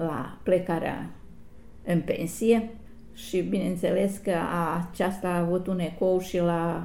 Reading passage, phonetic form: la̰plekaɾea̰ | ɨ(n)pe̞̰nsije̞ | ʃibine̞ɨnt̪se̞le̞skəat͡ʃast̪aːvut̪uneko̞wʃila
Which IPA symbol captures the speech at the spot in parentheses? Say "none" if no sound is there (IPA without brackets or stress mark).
n